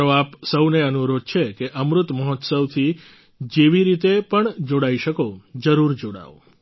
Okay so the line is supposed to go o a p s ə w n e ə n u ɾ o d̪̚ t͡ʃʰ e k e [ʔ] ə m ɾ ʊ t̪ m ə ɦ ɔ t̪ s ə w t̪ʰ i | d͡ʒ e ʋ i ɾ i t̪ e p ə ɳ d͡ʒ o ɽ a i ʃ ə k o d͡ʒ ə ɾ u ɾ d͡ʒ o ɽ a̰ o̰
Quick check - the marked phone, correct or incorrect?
correct